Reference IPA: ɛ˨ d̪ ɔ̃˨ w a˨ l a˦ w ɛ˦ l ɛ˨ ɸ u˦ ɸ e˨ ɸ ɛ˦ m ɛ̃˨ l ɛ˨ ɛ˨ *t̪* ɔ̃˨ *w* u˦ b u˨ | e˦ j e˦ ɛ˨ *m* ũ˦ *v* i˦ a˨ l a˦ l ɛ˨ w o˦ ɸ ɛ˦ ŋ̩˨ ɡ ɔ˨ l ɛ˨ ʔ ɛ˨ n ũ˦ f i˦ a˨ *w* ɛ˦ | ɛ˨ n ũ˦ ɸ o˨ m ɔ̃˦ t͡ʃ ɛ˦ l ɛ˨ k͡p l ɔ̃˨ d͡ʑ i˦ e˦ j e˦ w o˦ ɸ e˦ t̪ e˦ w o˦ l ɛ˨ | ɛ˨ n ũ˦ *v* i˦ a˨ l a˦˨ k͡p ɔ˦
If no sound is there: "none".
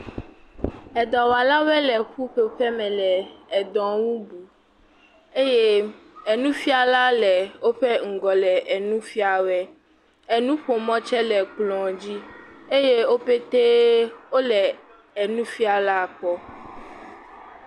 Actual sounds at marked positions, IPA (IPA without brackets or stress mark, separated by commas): d̪, w, n, f, w, f